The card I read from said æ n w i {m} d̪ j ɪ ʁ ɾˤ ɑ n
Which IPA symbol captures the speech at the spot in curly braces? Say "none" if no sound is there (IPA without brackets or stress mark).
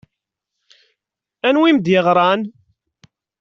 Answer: m